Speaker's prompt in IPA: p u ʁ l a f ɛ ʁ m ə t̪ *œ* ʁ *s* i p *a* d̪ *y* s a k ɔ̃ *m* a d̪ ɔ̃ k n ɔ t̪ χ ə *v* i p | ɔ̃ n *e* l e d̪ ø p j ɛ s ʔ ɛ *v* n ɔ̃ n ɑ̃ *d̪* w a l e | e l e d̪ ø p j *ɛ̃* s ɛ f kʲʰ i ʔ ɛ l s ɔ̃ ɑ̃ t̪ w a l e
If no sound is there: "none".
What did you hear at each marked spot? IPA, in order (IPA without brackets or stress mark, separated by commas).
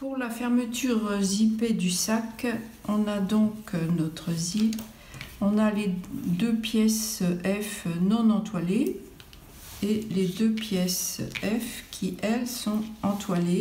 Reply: y, z, e, y, n, z, a, f, t̪, ɛ